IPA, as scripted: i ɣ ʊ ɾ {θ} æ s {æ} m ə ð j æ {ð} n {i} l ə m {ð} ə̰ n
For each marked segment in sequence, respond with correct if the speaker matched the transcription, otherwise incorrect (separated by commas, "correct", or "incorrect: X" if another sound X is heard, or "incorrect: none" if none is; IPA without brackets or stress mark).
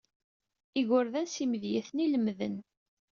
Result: incorrect: ð, incorrect: i, incorrect: θ, correct, correct